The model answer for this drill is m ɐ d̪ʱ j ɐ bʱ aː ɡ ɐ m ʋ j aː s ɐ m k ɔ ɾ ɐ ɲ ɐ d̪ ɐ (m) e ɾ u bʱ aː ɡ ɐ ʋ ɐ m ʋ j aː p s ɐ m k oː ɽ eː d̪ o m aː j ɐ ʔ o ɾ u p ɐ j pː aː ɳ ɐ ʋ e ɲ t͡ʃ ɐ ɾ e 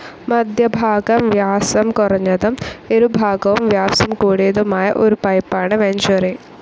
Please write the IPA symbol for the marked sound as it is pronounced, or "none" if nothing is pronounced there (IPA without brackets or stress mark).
m